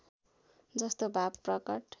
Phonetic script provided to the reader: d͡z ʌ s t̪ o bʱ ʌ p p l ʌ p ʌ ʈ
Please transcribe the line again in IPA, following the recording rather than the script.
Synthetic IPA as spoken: d͡z ʌ s t̪ o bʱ a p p r ʌ k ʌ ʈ